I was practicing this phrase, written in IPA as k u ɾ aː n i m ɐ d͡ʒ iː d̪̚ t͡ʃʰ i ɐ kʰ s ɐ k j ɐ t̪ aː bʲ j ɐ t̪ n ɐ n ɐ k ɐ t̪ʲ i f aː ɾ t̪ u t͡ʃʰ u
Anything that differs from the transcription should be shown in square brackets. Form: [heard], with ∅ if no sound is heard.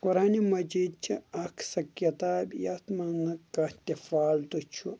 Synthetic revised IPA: k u ɾ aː n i m ɐ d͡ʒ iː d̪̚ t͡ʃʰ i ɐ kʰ s ɐ k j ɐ t̪ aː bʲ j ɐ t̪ [m] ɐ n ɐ k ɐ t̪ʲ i f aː [l] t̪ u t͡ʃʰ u